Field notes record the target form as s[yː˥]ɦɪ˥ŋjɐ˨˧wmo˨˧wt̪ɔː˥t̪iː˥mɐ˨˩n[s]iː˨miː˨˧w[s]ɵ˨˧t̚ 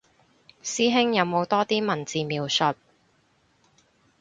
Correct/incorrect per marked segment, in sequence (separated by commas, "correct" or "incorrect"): incorrect, incorrect, correct